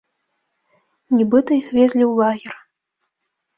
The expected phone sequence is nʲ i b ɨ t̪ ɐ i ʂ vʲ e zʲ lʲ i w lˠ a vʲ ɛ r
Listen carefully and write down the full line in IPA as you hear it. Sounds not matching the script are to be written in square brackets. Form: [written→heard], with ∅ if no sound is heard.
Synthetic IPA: nʲ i b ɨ t̪ ɐ i [ʂ→x] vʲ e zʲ lʲ i w lˠ a [vʲ→ɣʲ] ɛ r